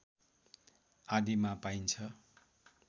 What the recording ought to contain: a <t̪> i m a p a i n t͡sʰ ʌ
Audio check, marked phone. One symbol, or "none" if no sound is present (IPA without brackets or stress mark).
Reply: d̪